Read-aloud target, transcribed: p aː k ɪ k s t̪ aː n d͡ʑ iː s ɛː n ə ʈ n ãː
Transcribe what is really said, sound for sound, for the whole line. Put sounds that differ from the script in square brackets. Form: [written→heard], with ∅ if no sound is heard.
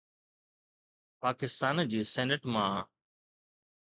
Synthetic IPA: p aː k ɪ [k→∅] s t̪ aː n d͡ʑ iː s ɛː n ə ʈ [n→m] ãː